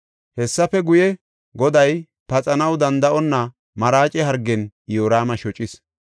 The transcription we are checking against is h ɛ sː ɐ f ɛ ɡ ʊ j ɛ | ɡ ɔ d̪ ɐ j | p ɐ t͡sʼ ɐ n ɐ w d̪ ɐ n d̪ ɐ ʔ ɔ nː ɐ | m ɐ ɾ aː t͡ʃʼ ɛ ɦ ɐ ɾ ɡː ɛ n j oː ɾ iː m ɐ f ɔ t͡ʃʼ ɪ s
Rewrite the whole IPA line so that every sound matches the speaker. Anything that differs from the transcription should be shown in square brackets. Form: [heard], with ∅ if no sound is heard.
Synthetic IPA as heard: h ɛ sː ɐ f ɛ ɡ ʊ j ɛ | ɡ ɔ d̪ ɐ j | p ɐ t͡sʼ ɐ n ɐ w d̪ ɐ n d̪ ɐ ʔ ɔ nː ɐ | m ɐ ɾ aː t͡ʃʼ ɛ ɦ ɐ ɾ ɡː ɛ n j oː ɾ [aː] m ɐ [ʃ] ɔ t͡ʃʼ ɪ s